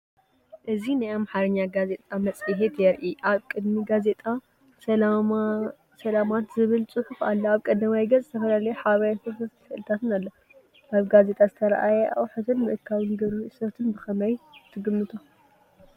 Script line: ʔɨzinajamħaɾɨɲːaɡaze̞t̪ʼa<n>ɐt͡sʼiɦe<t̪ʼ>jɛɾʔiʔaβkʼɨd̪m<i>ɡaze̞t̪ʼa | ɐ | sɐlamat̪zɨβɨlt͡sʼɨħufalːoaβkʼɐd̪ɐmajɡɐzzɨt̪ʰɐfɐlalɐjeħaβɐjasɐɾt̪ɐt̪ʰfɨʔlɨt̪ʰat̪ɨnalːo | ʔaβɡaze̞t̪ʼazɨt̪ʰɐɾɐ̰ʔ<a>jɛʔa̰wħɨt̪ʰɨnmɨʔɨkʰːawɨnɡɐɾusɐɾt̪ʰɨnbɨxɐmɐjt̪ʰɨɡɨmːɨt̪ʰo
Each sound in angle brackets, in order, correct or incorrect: incorrect: m, incorrect: t̪, correct, correct

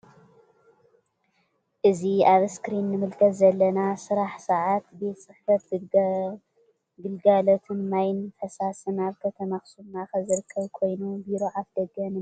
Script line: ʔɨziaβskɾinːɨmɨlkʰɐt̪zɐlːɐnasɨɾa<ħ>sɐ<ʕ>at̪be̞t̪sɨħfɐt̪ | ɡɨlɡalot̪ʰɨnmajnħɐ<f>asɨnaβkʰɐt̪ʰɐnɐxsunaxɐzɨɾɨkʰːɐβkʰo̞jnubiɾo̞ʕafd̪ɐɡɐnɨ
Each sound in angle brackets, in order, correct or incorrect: correct, correct, incorrect: s

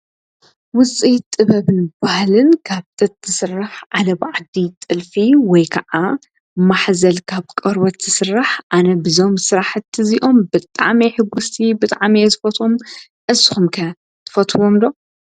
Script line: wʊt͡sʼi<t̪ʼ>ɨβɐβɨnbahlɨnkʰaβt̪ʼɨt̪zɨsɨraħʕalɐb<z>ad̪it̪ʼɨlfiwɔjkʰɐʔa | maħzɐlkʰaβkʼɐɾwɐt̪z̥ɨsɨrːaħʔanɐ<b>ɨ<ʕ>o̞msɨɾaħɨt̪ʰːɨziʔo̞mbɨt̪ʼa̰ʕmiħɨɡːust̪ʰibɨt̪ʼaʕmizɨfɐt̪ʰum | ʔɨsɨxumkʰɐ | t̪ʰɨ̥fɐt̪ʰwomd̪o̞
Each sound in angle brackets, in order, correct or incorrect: correct, incorrect: ʕ, correct, incorrect: z

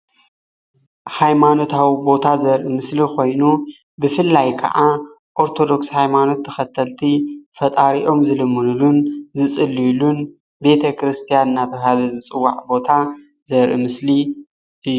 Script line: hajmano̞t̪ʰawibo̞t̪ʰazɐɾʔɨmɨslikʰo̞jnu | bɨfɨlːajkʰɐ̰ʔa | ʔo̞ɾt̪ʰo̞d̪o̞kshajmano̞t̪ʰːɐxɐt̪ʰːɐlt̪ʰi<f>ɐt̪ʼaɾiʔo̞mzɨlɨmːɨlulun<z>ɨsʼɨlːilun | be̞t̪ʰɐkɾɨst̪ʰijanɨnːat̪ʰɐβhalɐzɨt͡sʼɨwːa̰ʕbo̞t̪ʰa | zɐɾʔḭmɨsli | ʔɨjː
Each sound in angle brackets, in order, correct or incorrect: correct, correct

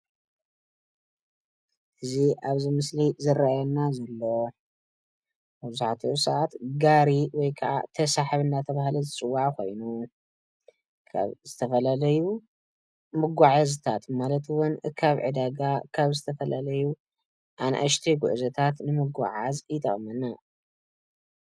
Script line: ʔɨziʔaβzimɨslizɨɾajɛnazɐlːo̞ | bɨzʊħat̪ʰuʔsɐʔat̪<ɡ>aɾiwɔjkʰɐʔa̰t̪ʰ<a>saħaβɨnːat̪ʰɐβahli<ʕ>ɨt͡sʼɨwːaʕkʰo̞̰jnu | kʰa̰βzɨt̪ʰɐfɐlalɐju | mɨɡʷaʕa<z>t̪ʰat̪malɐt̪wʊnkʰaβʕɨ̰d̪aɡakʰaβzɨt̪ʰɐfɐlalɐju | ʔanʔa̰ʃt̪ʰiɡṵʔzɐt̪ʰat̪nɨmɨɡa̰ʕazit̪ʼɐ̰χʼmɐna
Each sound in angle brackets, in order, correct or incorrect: correct, incorrect: ɐ, incorrect: z, correct

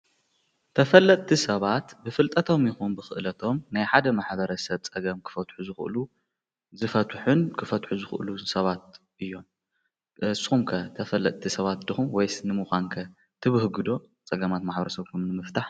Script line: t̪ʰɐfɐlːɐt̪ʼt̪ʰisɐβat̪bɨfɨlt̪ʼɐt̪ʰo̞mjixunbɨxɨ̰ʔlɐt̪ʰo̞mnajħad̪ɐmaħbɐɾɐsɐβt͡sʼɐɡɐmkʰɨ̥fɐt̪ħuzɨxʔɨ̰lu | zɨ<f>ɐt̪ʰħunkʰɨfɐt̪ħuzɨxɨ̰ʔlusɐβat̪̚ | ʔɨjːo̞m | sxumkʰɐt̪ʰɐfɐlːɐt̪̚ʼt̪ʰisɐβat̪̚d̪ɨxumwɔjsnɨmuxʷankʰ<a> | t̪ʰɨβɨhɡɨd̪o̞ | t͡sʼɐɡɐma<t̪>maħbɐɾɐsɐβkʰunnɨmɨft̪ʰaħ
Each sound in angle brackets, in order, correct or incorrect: correct, incorrect: ɐ, correct

